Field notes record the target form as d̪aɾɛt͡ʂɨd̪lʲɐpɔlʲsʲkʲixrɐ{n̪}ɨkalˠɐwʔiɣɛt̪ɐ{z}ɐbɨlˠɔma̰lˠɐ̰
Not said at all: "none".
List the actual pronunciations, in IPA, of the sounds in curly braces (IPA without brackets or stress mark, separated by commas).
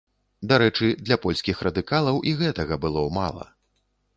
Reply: d̪, ɣ